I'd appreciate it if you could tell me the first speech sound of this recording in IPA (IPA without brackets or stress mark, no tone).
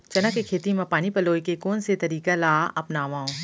t͡ʃ